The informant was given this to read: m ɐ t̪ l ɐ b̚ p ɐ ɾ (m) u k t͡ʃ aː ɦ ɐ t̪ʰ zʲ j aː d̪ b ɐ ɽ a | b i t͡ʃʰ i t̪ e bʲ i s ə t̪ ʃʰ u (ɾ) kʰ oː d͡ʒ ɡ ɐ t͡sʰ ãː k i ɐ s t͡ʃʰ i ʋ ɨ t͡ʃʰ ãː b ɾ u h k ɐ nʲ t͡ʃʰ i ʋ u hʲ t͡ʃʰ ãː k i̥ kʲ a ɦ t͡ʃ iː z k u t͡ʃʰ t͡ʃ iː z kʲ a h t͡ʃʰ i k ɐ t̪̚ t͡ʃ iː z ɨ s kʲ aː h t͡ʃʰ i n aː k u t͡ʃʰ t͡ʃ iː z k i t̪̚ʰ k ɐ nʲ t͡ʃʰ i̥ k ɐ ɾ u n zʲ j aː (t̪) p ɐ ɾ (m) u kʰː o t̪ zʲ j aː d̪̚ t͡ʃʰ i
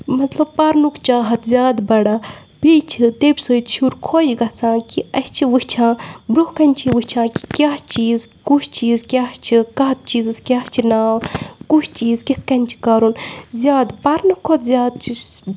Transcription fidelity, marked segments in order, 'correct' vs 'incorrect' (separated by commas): incorrect, correct, incorrect, incorrect